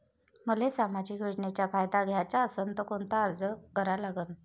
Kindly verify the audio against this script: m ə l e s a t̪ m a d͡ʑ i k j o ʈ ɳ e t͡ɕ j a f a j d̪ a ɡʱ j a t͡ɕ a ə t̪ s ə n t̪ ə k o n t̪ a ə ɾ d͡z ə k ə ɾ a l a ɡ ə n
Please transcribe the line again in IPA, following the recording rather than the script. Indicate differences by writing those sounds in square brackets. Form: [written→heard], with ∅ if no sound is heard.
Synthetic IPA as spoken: m ə l e s a [t̪→∅] m a d͡ʑ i k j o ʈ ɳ e t͡ɕ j a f a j d̪ a ɡʱ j a t͡ɕ a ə [t̪→∅] s ə n t̪ ə k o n t̪ a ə ɾ d͡z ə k ə ɾ a l a ɡ ə n